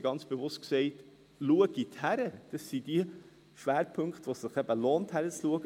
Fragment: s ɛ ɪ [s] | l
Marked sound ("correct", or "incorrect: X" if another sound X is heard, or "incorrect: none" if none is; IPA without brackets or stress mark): incorrect: t